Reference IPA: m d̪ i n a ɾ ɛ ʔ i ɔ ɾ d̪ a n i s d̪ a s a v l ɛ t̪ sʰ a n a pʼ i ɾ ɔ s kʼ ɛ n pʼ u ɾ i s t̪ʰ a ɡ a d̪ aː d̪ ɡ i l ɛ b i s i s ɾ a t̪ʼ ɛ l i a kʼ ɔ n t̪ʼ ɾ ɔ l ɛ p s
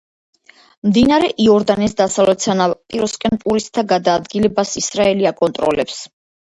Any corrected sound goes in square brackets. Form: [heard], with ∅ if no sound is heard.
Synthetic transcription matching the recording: m d̪ i n a ɾ ɛ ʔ i ɔ ɾ d̪ a n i s d̪ a s a v l ɛ t̪ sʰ a n a pʼ i ɾ ɔ s kʼ ɛ n pʼ u ɾ i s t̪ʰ a ɡ a d̪ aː d̪ ɡ i l ɛ b [a] s i s ɾ a [∅] ɛ l i a kʼ ɔ n t̪ʼ ɾ ɔ l ɛ p s